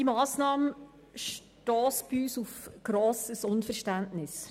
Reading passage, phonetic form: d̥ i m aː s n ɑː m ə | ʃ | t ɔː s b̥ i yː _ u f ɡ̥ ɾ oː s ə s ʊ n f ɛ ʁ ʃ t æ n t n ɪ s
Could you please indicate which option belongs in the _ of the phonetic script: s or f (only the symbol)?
s